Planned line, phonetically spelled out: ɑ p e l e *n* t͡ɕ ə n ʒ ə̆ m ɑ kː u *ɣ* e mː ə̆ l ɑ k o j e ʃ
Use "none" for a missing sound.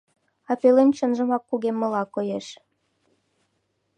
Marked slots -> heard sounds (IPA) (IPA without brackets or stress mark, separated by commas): n, ɣ